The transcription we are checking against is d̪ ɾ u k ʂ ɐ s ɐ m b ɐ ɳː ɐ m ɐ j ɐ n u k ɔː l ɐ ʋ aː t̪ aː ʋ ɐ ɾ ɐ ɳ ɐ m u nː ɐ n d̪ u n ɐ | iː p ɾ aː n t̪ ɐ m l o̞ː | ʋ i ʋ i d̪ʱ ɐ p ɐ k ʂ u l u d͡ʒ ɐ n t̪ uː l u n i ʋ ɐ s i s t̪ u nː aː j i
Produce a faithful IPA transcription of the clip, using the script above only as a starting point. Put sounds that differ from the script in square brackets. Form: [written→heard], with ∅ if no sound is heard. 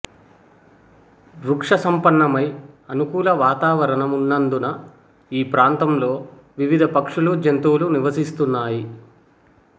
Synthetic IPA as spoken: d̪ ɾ u k ʂ ɐ s ɐ m [b→p] ɐ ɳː ɐ m ɐ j ɐ n u k [ɔː→uː] l ɐ ʋ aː t̪ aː ʋ ɐ ɾ ɐ ɳ ɐ m u nː ɐ n d̪ u n ɐ | iː p ɾ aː n t̪ ɐ m l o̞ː | ʋ i ʋ i d̪ʱ ɐ p ɐ k ʂ u l u d͡ʒ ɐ n t̪ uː l u n i ʋ ɐ s i s t̪ u nː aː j i

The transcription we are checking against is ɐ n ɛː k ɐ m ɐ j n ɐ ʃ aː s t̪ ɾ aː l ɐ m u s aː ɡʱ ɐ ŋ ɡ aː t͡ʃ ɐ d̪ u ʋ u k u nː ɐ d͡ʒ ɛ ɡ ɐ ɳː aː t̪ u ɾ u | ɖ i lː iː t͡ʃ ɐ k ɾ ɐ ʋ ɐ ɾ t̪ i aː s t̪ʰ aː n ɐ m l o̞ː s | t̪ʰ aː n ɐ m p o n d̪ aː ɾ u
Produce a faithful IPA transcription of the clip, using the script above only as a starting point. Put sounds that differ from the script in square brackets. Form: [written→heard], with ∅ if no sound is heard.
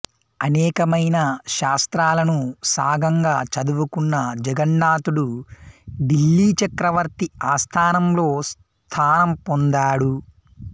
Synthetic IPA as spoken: ɐ n ɛː k ɐ m ɐ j n ɐ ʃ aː s t̪ ɾ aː l ɐ [m→n] u s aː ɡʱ ɐ ŋ ɡ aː t͡ʃ ɐ d̪ u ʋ u k u nː ɐ d͡ʒ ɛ ɡ ɐ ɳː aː t̪ u [ɾ→ɽ] u | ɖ i lː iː t͡ʃ ɐ k ɾ ɐ ʋ ɐ ɾ t̪ i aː s t̪ʰ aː n ɐ m l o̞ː s | t̪ʰ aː n ɐ m p o n d̪ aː [ɾ→ɽ] u

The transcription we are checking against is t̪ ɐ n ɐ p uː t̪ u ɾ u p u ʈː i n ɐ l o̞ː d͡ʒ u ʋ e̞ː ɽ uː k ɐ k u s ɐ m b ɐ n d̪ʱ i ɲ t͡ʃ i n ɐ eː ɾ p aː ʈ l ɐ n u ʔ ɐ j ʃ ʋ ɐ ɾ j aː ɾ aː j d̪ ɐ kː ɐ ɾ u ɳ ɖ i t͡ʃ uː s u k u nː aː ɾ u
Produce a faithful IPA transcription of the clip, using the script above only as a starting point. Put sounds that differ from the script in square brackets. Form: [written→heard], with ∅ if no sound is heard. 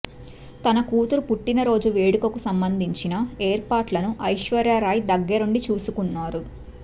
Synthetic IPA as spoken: t̪ ɐ n ɐ [p→k] uː t̪ u ɾ u p u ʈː i n ɐ [l→ɾ] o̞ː d͡ʒ u ʋ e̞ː ɽ [uː→u] k ɐ k u s ɐ m b ɐ n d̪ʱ i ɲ t͡ʃ i n ɐ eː ɾ p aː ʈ l ɐ n u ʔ ɐ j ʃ ʋ ɐ ɾ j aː ɾ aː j d̪ ɐ [kː→ɡː] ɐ ɾ u ɳ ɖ i t͡ʃ uː s u k u nː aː ɾ u

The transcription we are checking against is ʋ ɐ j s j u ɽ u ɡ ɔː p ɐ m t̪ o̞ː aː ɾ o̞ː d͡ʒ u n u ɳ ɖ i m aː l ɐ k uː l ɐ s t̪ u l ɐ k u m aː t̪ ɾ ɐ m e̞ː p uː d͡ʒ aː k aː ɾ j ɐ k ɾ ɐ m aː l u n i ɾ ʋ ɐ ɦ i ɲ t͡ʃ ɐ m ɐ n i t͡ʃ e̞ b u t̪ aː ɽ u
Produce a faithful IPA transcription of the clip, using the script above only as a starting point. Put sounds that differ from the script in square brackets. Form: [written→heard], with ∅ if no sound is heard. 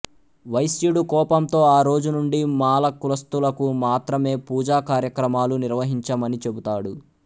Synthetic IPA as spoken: ʋ ɐ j s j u ɽ u [ɡ→k] ɔː p ɐ m t̪ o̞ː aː ɾ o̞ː d͡ʒ u n u ɳ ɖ i m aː l ɐ k [uː→u] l ɐ s t̪ u l ɐ k u m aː t̪ ɾ ɐ m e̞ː p uː d͡ʒ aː k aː ɾ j ɐ k ɾ ɐ m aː l u n i ɾ ʋ ɐ ɦ i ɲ t͡ʃ ɐ m ɐ n i t͡ʃ e̞ b u t̪ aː ɽ u

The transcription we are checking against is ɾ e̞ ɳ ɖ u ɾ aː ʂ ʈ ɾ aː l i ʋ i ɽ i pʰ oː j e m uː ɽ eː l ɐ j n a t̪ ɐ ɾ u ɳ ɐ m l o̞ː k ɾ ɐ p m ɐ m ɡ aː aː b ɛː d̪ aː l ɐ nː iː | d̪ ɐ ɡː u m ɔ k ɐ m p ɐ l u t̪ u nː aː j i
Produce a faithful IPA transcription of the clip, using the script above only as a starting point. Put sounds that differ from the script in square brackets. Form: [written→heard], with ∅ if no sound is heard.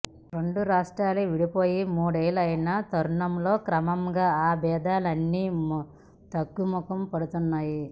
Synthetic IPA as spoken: ɾ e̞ ɳ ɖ u ɾ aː ʂ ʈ ɾ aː l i ʋ i ɽ i [pʰ→p] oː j [e→i] m uː ɽ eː l ɐ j n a t̪ ɐ ɾ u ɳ ɐ m l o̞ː k ɾ ɐ [p→∅] m ɐ m ɡ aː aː b ɛː d̪ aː l ɐ nː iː | [d̪→t̪] ɐ ɡː u m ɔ k ɐ m p ɐ [l→ɽ] u t̪ u nː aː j i

